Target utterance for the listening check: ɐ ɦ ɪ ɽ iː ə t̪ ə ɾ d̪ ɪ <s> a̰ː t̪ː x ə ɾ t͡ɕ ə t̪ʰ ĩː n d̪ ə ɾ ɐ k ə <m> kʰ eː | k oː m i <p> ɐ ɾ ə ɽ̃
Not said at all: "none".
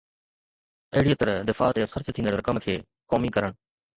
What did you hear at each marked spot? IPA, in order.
f, m, k

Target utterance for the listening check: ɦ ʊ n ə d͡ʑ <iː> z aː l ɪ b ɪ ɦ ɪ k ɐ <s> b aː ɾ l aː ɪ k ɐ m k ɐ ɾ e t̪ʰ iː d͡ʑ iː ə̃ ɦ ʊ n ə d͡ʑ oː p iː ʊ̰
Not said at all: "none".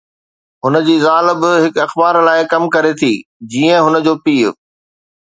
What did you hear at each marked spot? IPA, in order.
iː, x

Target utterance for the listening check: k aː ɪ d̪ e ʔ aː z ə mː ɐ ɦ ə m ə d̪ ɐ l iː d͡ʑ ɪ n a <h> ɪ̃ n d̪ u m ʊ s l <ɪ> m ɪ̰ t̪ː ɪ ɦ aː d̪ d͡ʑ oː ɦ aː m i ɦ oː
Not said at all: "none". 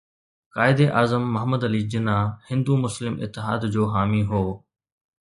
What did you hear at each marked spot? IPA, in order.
h, ɪ

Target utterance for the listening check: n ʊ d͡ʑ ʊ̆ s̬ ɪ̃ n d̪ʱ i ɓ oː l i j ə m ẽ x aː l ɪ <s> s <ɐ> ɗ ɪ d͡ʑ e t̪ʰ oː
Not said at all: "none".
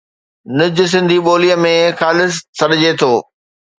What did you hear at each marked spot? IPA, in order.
s, ɐ

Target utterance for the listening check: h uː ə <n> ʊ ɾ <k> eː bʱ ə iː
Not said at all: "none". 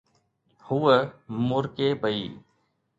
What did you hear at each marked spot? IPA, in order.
m, k

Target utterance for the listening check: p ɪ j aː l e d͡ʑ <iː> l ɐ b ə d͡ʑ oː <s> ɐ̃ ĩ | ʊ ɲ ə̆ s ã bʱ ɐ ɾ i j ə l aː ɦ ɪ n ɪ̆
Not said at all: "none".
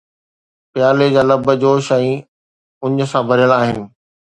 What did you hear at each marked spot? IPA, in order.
aː, ʃ

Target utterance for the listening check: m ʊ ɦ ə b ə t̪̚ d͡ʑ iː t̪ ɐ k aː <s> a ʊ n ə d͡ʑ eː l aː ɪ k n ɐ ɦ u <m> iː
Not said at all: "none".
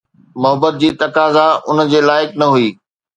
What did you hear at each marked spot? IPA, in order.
z, none

